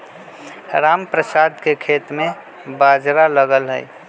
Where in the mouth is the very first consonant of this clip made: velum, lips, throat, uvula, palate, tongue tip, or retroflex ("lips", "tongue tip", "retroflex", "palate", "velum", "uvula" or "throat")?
tongue tip